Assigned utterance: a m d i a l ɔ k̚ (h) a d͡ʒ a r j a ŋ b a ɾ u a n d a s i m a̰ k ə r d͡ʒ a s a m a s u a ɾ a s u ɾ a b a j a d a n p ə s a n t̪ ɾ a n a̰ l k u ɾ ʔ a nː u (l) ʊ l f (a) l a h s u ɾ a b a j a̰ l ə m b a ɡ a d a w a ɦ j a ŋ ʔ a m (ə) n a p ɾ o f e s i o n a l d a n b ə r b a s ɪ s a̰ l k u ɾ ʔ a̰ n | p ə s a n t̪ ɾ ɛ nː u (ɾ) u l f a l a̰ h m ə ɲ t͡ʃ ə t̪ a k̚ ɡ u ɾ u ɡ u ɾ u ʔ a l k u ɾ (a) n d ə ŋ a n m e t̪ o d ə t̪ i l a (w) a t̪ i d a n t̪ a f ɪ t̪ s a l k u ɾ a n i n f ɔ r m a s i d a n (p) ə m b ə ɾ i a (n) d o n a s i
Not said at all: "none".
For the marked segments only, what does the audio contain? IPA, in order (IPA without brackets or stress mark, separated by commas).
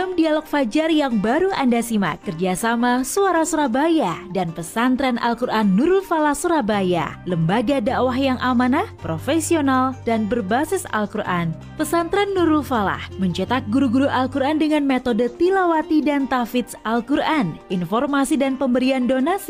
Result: f, ɾ, a, a, ɾ, a, w, p, n